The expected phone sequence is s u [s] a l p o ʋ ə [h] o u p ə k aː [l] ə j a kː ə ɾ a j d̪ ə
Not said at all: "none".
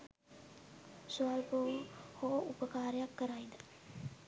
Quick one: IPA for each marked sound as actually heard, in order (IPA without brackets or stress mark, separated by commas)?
none, h, ɾ